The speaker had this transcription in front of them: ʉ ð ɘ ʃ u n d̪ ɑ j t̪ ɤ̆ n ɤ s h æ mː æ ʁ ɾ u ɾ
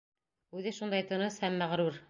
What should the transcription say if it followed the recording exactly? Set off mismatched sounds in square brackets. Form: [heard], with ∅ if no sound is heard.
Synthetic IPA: ʉ ð ɘ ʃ u n d̪ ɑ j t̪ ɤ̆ n ɤ s h æ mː æ ʁ ɾ u ɾ

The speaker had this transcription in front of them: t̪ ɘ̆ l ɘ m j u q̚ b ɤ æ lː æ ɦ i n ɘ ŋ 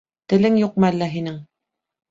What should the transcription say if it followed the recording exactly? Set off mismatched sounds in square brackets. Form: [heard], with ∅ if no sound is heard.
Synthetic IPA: t̪ ɘ̆ l ɘ [ŋ] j u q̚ [m] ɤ æ lː æ ɦ i n ɘ ŋ

